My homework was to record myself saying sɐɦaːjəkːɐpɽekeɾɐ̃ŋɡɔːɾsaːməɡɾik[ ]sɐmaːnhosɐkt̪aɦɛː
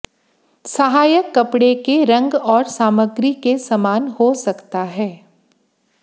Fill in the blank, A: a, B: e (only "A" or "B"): B